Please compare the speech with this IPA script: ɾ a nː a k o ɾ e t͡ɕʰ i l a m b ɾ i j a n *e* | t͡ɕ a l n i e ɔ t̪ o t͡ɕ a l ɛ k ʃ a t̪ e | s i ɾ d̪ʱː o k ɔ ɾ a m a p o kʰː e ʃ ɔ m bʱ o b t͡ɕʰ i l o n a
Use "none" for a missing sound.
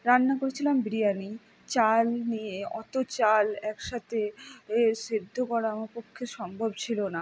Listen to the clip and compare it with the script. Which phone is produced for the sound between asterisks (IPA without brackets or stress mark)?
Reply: i